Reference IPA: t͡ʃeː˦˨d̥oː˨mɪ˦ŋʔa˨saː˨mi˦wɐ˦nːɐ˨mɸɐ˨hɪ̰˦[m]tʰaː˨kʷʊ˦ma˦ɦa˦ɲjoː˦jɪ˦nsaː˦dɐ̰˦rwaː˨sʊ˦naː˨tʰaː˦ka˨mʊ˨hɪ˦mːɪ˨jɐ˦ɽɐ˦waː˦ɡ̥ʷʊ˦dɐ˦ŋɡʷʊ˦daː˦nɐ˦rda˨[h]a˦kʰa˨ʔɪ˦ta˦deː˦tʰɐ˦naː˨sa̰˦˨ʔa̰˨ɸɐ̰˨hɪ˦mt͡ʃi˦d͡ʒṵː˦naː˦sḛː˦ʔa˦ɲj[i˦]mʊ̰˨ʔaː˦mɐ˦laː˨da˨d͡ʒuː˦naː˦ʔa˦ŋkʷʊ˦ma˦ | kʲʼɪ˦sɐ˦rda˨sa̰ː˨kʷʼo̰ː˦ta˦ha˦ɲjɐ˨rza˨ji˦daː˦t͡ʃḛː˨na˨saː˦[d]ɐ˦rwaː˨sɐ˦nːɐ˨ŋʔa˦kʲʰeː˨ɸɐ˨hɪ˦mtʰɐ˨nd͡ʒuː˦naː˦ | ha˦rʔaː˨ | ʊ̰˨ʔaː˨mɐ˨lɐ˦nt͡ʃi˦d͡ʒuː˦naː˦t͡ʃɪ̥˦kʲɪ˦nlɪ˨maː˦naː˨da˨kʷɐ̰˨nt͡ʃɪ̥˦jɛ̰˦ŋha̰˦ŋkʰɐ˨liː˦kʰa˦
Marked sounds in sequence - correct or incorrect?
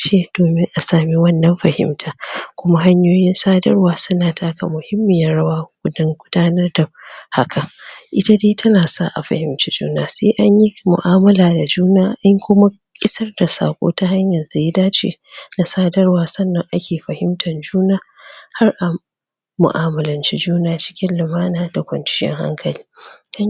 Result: correct, correct, correct, correct

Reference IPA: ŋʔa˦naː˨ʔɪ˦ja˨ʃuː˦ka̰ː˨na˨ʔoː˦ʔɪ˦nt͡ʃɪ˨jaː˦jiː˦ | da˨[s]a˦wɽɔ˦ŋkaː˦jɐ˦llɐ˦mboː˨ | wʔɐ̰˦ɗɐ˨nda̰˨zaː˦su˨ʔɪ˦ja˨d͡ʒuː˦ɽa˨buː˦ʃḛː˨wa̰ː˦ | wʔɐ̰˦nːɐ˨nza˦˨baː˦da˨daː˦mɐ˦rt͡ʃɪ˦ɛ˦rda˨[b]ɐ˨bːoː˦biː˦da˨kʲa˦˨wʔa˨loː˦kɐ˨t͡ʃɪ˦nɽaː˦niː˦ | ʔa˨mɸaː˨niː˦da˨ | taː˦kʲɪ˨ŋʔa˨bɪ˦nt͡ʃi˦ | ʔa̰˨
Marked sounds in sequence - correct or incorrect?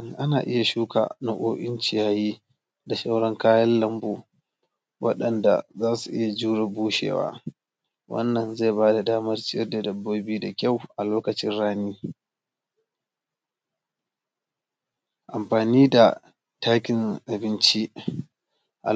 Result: incorrect, incorrect

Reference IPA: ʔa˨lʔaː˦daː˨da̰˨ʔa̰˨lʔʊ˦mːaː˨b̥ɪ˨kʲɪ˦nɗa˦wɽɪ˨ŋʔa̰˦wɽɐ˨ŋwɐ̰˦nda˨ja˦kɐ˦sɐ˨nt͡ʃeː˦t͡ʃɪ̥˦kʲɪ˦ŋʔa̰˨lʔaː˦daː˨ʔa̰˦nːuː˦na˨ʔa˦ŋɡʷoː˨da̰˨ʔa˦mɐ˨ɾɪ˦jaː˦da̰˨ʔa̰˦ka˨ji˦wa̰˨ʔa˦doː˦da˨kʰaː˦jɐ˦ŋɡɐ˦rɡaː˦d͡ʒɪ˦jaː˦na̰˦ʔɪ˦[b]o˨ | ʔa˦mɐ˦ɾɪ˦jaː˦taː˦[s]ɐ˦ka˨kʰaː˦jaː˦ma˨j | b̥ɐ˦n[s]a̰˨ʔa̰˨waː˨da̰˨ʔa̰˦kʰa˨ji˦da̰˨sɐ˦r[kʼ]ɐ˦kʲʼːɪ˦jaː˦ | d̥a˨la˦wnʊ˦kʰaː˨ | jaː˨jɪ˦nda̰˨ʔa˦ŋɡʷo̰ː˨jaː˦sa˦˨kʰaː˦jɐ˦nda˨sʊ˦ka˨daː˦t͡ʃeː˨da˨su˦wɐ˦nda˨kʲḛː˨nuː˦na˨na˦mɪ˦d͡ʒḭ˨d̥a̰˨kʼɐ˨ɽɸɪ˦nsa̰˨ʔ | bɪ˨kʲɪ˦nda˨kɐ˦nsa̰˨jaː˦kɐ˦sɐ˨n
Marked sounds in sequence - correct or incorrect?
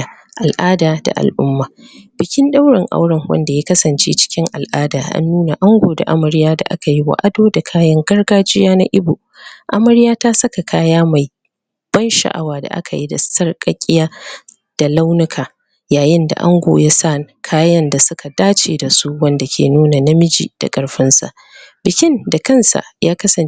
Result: correct, correct, incorrect, correct

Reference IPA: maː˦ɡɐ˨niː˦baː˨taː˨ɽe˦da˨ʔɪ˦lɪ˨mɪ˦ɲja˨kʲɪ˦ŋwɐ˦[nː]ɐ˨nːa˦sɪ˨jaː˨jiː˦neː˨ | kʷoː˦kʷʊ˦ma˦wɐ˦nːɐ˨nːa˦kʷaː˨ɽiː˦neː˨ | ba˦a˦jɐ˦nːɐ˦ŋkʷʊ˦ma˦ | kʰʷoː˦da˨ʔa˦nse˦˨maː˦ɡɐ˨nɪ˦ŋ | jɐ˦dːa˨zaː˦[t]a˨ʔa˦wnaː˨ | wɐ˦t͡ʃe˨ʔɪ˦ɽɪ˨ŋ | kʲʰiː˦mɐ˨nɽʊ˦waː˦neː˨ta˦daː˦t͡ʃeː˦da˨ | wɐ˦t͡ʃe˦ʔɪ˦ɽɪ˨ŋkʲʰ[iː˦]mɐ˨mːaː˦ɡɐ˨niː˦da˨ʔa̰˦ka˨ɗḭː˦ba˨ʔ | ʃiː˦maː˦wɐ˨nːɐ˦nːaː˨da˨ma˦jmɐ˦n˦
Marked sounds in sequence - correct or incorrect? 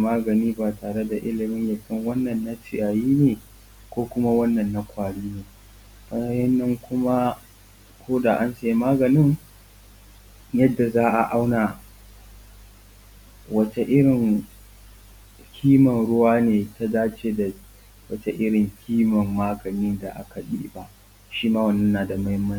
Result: correct, incorrect, correct

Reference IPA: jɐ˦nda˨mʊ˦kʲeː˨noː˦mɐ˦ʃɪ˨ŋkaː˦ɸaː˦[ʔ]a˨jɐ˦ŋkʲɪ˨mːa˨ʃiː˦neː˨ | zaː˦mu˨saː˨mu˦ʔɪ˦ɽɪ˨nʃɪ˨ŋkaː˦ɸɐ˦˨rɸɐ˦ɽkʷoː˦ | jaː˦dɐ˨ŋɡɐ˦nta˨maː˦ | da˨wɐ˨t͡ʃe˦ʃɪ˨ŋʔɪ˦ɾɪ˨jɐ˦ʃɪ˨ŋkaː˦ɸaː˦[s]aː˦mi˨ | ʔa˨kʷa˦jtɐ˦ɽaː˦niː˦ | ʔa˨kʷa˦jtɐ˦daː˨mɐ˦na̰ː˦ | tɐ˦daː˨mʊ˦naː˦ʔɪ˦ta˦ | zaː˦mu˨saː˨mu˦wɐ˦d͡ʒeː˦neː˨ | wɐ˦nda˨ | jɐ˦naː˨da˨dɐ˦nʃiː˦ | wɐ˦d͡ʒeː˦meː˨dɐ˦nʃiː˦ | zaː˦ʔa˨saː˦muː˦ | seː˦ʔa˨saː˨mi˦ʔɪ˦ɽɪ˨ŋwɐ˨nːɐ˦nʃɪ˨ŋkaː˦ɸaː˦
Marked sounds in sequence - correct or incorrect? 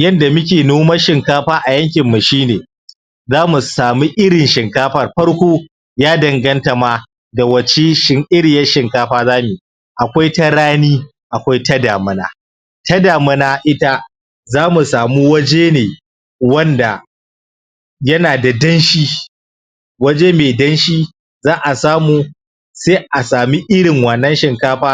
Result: correct, incorrect

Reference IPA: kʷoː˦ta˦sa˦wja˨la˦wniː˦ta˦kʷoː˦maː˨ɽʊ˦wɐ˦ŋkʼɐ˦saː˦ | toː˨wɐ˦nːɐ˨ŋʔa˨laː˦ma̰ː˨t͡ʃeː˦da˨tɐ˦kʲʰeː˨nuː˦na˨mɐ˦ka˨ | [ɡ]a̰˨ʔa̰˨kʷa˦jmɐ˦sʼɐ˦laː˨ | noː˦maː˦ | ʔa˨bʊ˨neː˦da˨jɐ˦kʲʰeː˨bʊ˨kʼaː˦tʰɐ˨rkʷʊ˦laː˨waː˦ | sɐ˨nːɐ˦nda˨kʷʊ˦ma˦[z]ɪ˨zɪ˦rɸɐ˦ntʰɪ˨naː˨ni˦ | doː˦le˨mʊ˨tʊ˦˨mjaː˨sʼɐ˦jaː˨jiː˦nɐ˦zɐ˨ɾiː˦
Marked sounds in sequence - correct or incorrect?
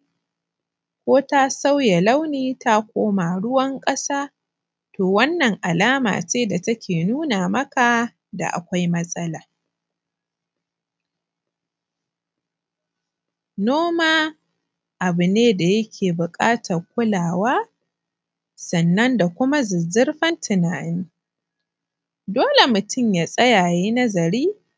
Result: incorrect, correct

